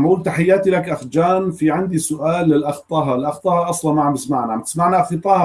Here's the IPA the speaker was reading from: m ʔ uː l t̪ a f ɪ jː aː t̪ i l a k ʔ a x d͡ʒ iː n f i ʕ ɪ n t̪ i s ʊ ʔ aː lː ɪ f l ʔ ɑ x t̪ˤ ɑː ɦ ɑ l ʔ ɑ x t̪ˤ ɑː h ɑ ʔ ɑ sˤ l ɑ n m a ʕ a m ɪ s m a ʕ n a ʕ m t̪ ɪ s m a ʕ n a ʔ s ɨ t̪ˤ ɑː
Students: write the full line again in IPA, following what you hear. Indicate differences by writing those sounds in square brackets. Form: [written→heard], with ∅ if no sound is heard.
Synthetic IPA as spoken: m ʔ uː l t̪ a [f→ħ] ɪ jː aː t̪ i l a k ʔ a x d͡ʒ [iː→aː] n f i ʕ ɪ n [t̪→d̪] i s ʊ ʔ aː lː ɪ [f→∅] l ʔ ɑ x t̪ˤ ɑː ɦ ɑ l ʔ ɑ x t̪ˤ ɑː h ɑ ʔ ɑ sˤ l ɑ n m a ʕ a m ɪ s m a ʕ n a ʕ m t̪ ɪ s m a ʕ n a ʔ [s→x] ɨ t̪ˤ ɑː